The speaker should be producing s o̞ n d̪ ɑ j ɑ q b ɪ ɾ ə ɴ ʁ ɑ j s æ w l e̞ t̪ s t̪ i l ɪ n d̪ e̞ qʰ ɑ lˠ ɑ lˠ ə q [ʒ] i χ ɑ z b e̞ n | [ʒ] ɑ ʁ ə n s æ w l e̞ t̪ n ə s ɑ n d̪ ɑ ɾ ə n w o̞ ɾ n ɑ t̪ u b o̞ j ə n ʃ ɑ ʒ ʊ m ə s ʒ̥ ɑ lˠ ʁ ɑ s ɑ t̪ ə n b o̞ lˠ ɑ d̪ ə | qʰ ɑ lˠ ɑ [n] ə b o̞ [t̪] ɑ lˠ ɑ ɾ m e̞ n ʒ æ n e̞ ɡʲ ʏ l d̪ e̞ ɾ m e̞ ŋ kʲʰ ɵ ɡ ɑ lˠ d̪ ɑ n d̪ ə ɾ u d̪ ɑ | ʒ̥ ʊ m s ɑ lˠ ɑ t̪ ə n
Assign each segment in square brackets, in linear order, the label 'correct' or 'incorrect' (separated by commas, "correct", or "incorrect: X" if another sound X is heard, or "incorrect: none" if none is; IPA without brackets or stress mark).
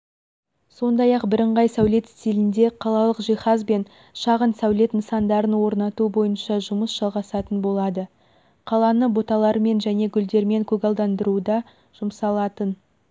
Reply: correct, incorrect: ʃ, correct, correct